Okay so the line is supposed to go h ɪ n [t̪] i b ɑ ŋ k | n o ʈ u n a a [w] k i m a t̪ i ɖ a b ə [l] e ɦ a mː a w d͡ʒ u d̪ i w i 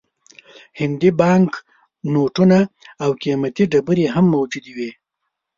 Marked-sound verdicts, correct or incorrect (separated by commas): incorrect, correct, incorrect